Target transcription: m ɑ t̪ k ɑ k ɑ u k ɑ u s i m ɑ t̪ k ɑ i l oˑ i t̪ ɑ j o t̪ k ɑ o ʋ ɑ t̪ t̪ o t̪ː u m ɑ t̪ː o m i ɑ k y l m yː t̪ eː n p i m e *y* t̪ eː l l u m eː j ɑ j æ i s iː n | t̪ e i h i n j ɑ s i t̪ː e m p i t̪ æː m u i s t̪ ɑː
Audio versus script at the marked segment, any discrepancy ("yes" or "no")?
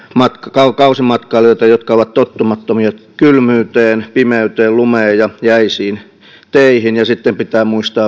no